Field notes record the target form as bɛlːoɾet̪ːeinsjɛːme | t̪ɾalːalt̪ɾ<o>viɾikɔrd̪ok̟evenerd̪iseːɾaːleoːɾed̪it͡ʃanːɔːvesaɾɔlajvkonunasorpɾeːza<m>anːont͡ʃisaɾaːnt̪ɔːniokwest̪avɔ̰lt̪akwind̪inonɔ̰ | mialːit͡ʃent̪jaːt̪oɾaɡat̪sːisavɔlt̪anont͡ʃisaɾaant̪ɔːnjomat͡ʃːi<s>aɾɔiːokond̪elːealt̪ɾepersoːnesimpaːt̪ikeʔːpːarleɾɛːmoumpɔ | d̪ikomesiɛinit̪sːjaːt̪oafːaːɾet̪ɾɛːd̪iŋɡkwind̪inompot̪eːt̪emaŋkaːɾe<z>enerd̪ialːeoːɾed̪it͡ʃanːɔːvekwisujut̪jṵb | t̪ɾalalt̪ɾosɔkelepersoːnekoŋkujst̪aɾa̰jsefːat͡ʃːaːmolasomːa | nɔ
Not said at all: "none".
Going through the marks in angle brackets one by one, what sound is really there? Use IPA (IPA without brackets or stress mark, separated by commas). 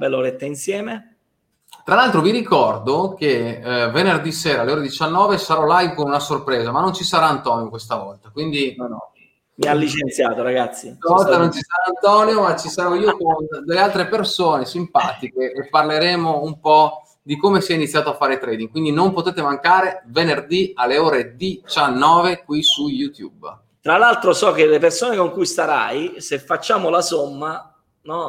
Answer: o, m, s, v